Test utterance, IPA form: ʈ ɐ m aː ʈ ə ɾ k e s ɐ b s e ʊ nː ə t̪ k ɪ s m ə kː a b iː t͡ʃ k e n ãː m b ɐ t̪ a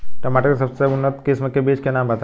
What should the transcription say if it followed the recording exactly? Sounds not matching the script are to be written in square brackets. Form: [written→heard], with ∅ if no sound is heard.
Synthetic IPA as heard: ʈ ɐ m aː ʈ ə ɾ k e s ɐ b s e ʊ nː ə t̪ k ɪ s m ə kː [a→e] b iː t͡ʃ k e n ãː m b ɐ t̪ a